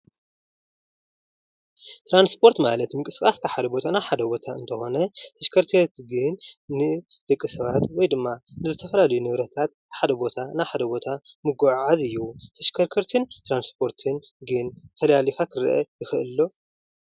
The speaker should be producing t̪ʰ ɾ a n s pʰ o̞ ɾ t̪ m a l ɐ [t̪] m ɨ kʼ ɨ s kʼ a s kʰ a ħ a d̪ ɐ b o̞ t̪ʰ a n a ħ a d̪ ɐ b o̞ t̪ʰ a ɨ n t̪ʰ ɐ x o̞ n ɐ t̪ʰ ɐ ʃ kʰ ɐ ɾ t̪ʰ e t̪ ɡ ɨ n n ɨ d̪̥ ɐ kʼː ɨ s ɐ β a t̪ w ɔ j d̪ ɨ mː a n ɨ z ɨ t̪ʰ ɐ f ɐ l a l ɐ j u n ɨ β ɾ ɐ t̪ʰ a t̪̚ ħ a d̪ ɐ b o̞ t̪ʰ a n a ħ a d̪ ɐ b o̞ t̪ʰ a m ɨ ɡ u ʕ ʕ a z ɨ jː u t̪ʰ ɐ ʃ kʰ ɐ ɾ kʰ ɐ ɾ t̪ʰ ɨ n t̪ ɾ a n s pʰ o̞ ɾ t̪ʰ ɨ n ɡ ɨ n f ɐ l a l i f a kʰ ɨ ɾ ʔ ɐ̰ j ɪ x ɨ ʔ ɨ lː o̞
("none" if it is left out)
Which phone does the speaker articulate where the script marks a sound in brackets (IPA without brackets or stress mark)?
t̪